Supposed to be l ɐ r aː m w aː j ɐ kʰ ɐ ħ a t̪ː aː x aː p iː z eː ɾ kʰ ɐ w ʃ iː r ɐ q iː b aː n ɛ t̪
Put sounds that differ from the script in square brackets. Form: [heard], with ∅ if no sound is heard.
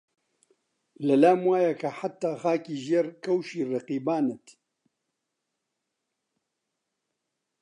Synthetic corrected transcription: l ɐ [l] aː m w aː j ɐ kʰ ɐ ħ a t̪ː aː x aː [k] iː [ʒ] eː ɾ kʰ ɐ w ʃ iː r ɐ q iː b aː n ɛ t̪